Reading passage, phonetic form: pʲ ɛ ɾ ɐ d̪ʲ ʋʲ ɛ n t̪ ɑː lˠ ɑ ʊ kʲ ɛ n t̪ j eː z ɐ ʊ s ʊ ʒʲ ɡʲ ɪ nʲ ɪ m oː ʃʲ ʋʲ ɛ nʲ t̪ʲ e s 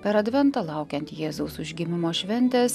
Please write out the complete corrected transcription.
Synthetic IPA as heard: pʲ ɛ ɾ ɐ d̪ʲ ʋʲ ɛ n t̪ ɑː lˠ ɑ ʊ kʲ ɛ n t̪ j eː z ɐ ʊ s ʊ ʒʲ ɡʲ ɪ mʲ ɪ m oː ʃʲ ʋʲ ɛ nʲ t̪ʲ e s